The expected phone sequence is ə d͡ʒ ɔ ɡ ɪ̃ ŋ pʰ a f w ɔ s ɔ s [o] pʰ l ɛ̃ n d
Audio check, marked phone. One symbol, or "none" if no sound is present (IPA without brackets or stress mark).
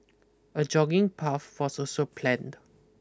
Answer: o